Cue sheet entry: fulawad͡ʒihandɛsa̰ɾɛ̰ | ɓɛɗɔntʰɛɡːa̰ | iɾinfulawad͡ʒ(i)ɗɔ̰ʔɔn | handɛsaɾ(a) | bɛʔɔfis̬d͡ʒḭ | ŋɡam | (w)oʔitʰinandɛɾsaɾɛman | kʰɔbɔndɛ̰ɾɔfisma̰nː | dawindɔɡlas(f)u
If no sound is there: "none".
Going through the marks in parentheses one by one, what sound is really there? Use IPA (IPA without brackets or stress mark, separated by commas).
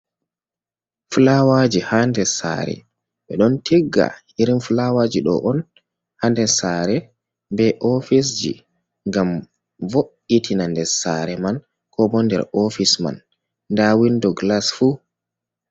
i, ɛ, v, f